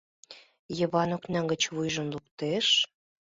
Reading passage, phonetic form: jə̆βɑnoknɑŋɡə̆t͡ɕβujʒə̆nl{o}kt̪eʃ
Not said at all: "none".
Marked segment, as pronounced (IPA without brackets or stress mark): u